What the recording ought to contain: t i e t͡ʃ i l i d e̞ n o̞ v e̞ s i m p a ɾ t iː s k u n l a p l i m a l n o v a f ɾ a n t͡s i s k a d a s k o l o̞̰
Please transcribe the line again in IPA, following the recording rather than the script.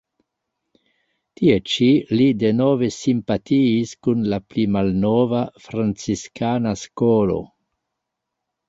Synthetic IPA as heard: t i e t͡ʃ i l i d e̞ n o̞ v e̞ s i m p a t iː s k u n l a p l i m a l n o v a f ɾ a n t͡s i s k a n a s k o l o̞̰